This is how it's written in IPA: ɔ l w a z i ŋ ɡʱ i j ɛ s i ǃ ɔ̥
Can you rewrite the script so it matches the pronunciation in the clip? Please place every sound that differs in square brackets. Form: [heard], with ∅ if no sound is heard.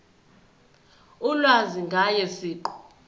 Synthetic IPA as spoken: [u] l w a z i ŋ ɡʱ [a] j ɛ s [iː] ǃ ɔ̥